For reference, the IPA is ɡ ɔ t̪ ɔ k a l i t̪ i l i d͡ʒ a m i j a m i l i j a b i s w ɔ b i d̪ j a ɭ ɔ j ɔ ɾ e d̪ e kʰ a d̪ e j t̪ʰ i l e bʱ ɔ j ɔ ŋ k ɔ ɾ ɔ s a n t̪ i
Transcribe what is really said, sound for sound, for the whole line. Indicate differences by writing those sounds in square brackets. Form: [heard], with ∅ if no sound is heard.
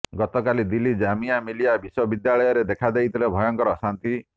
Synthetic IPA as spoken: ɡ ɔ t̪ ɔ k a l i [d̪] i l i d͡ʒ a m i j a m i l i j a b i s w ɔ b i d̪ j a ɭ ɔ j ɔ ɾ e d̪ e kʰ a d̪ e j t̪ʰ i l e bʱ ɔ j ɔ ŋ k ɔ ɾ ɔ s a n t̪ i

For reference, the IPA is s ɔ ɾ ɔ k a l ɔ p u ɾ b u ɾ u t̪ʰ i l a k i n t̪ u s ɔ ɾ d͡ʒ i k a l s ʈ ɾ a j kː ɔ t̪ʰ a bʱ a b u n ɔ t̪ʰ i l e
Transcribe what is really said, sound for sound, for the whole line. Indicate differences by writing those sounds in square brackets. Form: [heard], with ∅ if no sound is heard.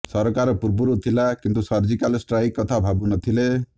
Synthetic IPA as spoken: s ɔ ɾ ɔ k a [ɾ] ɔ p u ɾ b u ɾ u t̪ʰ i l a k i n t̪ u s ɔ ɾ d͡ʒ i k a l s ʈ ɾ a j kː ɔ t̪ʰ a bʱ a b u n ɔ t̪ʰ i l e

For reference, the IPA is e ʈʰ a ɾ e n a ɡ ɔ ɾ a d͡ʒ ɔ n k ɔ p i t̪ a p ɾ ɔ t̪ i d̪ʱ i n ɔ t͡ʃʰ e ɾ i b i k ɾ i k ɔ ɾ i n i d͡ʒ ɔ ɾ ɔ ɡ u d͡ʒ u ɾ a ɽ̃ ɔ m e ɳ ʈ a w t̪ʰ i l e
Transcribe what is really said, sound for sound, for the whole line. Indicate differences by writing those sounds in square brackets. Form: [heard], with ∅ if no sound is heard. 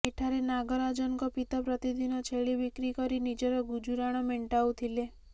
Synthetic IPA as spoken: e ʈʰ a ɾ e n a ɡ ɔ ɾ a d͡ʒ ɔ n k ɔ p i t̪ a p ɾ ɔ t̪ i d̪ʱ i n ɔ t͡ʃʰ e [ɭ] i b i k ɾ i k ɔ ɾ i n i d͡ʒ ɔ ɾ ɔ ɡ u d͡ʒ u ɾ a ɽ̃ ɔ m e ɳ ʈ a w t̪ʰ i l e

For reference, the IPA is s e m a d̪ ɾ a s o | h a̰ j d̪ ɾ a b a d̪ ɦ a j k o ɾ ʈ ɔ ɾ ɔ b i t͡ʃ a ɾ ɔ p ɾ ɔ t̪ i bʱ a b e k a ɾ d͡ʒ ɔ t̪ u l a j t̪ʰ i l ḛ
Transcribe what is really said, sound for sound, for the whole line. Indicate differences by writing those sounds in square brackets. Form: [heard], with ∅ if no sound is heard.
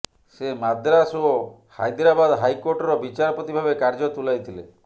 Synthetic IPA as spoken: s e m a d̪ ɾ a s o | h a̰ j d̪ ɾ a b a d̪ ɦ a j k o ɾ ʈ ɔ ɾ ɔ b i t͡ʃ a ɾ ɔ p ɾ ɔ t̪ i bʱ a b e k a ɾ d͡ʒ ɔ t̪ u l a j t̪ʰ i l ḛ

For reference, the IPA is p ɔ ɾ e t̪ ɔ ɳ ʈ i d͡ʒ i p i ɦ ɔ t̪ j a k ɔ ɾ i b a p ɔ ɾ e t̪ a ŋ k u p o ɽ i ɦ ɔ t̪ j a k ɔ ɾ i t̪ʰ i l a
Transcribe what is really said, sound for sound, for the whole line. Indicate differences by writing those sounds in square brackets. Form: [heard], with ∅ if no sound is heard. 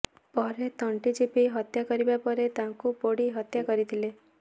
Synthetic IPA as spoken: p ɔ ɾ e t̪ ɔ ɳ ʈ i d͡ʒ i p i ɦ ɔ t̪ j a k ɔ ɾ i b a p ɔ ɾ e t̪ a ŋ k u p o ɽ i ɦ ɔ t̪ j a k ɔ ɾ i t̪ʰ i l [e]

